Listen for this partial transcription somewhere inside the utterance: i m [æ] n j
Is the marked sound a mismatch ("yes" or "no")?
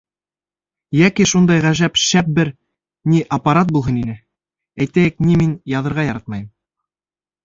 yes